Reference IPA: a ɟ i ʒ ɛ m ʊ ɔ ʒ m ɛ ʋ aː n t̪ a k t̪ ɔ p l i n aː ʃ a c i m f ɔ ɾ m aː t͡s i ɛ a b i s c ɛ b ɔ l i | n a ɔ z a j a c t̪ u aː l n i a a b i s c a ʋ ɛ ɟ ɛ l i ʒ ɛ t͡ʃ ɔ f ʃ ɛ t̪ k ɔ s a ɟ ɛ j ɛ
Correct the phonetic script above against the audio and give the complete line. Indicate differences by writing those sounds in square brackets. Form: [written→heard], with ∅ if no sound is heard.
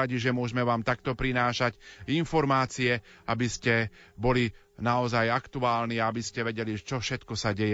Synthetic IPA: a ɟ i ʒ ɛ m ʊ ɔ ʒ m ɛ ʋ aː [n→m] t̪ a k t̪ ɔ p [l→ɾ] i n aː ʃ a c i [m→n] f ɔ ɾ m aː t͡s i ɛ a b i s c ɛ b ɔ l i | n a ɔ z a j a [c→k] t̪ u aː l n i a a b i s c [a→ɛ] ʋ ɛ ɟ ɛ l i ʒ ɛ t͡ʃ ɔ f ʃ ɛ t̪ k ɔ s a ɟ ɛ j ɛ